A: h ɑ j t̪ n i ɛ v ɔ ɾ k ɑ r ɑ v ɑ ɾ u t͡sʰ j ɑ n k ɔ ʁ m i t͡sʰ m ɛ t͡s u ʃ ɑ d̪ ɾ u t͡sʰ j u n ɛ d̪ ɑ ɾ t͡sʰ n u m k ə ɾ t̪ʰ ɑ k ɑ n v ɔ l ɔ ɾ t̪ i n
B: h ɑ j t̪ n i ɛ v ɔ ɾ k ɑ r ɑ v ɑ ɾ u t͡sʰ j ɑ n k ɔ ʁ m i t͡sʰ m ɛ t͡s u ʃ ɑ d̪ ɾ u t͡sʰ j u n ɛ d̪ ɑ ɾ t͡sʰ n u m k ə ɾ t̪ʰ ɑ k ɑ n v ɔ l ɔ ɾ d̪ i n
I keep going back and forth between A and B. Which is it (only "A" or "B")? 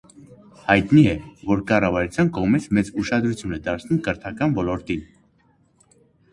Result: A